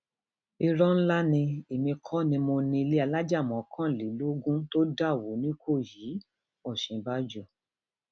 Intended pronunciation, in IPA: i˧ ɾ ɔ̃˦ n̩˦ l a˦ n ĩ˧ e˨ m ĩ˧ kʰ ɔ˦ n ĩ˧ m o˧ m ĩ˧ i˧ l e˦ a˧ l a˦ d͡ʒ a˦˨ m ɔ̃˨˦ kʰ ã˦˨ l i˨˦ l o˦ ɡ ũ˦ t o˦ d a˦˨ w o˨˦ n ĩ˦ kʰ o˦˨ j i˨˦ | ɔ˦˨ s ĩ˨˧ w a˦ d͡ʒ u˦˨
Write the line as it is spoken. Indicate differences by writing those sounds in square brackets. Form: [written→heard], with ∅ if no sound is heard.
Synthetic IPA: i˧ ɾ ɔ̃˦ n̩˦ l a˦ n ĩ˧ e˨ m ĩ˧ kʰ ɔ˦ n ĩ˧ m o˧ [m→n] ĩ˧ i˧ l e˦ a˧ l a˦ d͡ʒ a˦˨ m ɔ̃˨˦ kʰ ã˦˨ l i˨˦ l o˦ ɡ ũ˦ t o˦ d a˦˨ w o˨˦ n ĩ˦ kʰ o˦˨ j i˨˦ | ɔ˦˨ [s→ʃ] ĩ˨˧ [w→b] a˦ d͡ʒ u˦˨